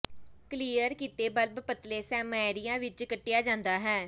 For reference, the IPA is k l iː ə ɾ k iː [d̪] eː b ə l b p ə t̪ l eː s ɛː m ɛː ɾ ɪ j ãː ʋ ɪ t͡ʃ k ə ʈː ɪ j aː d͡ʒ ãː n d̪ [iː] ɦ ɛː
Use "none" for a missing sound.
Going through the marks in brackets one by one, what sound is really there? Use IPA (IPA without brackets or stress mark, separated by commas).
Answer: t̪, aː